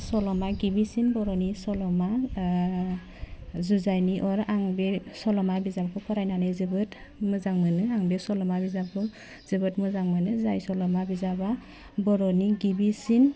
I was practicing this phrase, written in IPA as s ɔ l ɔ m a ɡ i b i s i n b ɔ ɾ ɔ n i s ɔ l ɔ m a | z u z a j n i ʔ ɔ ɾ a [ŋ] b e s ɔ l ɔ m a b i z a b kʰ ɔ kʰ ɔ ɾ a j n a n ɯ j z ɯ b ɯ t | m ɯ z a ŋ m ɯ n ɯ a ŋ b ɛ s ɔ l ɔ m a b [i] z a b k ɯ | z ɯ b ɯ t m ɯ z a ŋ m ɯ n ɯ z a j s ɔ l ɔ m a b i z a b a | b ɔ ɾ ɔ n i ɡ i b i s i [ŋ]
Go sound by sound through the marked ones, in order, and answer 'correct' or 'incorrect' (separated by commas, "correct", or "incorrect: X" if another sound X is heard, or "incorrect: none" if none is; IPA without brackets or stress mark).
correct, correct, incorrect: n